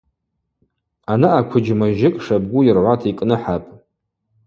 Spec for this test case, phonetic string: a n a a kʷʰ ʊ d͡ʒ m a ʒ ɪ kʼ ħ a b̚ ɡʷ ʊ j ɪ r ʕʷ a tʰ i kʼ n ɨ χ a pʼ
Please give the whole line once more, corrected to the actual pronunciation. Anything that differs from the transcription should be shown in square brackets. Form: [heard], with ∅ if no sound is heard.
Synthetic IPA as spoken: a n a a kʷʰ ʊ d͡ʒ m a ʒ ɪ kʼ [ʂ] a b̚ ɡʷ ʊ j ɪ r ʕʷ a tʰ i kʼ n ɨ [ħ] a pʼ